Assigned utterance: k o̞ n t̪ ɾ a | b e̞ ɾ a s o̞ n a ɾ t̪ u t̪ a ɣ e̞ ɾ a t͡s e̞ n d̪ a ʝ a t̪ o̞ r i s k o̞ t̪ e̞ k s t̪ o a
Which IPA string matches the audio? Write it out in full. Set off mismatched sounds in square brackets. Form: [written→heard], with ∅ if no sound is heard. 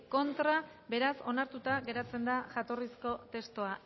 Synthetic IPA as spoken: k o̞ n t̪ ɾ a | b e̞ ɾ a s o̞ n a ɾ t̪ u t̪ a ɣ e̞ ɾ a t͡s e̞ n d̪ a ʝ a t̪ o̞ r i s k o̞ t̪ e̞ [k→∅] s t̪ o a

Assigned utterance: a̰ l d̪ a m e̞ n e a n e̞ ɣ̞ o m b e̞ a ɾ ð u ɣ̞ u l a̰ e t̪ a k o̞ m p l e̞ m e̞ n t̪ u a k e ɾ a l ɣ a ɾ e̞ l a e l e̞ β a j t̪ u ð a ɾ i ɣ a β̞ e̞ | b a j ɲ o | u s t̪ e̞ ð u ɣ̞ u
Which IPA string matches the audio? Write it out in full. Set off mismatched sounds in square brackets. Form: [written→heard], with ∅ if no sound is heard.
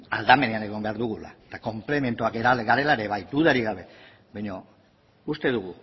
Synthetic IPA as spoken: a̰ l d̪ a m e̞ n e a n e̞ ɣ̞ o m b e̞ a ɾ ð u ɣ̞ u l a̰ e t̪ a k o̞ m p l e̞ m e̞ n t̪ u a k e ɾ a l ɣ a ɾ e̞ l a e [l→ɾ] e̞ β a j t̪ u ð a ɾ i ɣ a β̞ e̞ | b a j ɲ o | u s t̪ e̞ ð u ɣ̞ u

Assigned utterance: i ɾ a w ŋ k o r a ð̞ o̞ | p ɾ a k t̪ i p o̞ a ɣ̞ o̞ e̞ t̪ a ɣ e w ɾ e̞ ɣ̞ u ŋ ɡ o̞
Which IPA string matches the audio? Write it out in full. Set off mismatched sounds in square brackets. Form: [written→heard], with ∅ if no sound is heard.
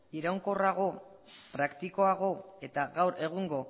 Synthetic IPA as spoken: i ɾ a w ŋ k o r a [ð̞→ɣ̞] o̞ | p ɾ a k t̪ i [p→k] o̞ a ɣ̞ o̞ e̞ t̪ a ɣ [e→a] w ɾ e̞ ɣ̞ u ŋ ɡ o̞

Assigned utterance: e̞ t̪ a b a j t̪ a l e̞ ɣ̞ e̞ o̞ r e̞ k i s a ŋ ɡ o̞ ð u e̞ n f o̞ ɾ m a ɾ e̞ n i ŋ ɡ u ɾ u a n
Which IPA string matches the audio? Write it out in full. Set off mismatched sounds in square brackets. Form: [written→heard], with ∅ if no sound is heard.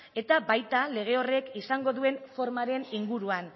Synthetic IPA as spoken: e̞ t̪ a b a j t̪ a l e̞ ɣ̞ e̞ o̞ r e̞ k i s a ŋ ɡ o̞ ð u e̞ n f o̞ ɾ m a ɾ e̞ n i ŋ ɡ u ɾ u a n

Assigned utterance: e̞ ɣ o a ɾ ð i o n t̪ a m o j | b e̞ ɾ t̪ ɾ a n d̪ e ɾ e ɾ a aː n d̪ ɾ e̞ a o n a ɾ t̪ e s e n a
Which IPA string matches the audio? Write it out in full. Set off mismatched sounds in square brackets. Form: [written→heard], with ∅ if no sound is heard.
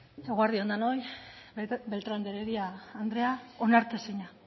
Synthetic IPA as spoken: e̞ ɣ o a ɾ ð i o n [t̪→d̪] a [m→n] o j | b e̞ [ɾ→l] t̪ ɾ a n d̪ e ɾ e ɾ [a→i] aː n d̪ ɾ e̞ a o n a ɾ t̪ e s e [n→ɲ] a

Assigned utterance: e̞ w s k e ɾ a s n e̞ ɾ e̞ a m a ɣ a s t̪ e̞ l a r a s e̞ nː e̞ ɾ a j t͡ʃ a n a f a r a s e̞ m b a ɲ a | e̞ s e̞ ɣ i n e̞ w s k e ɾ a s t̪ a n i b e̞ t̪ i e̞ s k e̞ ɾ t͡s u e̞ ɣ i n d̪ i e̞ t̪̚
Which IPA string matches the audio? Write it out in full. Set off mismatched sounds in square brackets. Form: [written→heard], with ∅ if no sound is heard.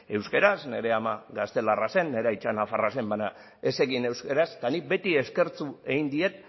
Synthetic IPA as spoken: e̞ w s k e ɾ a s n e̞ ɾ e̞ a m a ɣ a s t̪ e̞ l a r a s e̞ nː e̞ ɾ a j t͡ʃ a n a f a r a s e̞ m b a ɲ a | e̞ s e̞ ɣ i n e̞ w s k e ɾ a s t̪ a n i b e̞ t̪ i e̞ s k e̞ ɾ t͡s u e̞ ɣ i n d̪ i e̞ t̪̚

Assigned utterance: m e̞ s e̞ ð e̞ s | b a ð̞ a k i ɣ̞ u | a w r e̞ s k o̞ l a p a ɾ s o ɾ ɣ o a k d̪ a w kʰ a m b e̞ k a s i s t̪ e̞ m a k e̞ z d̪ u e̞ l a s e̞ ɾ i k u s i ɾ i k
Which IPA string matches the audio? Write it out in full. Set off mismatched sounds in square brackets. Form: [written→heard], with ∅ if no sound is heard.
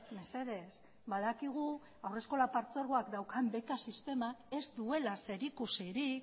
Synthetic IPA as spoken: m e̞ s e̞ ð e̞ s | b a ð̞ a k i ɣ̞ u | a w r e̞ s k o̞ l a p a ɾ [s→t͡s] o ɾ ɣ o a k d̪ a w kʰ a m b e̞ k a s i s t̪ e̞ m a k e̞ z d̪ u e̞ l a s e̞ ɾ i k u s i ɾ i k

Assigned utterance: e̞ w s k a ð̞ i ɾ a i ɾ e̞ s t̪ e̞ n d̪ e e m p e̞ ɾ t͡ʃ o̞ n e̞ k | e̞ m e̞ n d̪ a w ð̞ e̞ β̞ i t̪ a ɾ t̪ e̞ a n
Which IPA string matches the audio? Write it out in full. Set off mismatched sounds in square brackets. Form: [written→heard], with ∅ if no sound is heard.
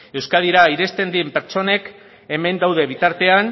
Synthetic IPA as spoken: e̞ w s k a ð̞ i ɾ a i ɾ e̞ s t̪ e̞ n d̪ [e→i] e m p e̞ ɾ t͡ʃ o̞ n e̞ k | e̞ m e̞ n d̪ a w ð̞ e̞ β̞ i t̪ a ɾ t̪ e̞ a n

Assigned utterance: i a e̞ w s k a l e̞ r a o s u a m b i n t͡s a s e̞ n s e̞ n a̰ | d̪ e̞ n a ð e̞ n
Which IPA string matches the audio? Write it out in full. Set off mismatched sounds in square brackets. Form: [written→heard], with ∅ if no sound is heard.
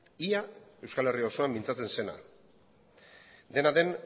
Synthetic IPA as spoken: i a e̞ w s k a l e̞ r [a→i] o s [u→o] a m b i n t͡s a [s→t͡s] e̞ n s e̞ n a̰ | d̪ e̞ n a ð e̞ n

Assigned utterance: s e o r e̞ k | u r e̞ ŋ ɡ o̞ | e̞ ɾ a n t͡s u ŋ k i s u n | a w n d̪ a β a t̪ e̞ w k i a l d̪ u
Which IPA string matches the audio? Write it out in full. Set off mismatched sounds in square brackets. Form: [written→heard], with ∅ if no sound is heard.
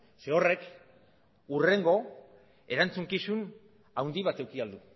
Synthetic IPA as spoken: s e o r e̞ k | u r e̞ ŋ ɡ o̞ | e̞ ɾ a n t͡s u ŋ k i s u n | a w n d̪ [a→i] β a t̪ e̞ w k i a l d̪ u

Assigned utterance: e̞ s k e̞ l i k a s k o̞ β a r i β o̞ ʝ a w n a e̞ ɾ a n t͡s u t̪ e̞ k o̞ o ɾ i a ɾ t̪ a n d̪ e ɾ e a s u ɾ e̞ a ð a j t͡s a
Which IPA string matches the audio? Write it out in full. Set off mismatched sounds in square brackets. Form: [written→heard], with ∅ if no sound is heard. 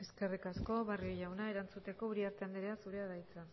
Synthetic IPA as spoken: e̞ s k e̞ [l→r] i k a s k o̞ β a r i [β→∅] o̞ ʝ a w n a e̞ ɾ a n t͡s u t̪ e̞ k o̞ [o→u] ɾ i a ɾ t̪ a n d̪ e ɾ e a s u ɾ e̞ a ð a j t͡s a

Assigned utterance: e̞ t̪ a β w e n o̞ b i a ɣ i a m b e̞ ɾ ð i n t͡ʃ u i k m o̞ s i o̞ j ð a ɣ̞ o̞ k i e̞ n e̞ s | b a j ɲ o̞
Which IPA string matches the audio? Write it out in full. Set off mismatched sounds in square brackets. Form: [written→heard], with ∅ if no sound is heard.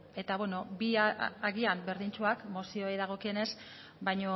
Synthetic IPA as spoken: e̞ t̪ a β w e n o̞ b i a ɣ i a m b e̞ ɾ ð i n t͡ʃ u [i→a] k m o̞ s i o̞ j ð a ɣ̞ o̞ k i e̞ n e̞ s | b a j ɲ o̞

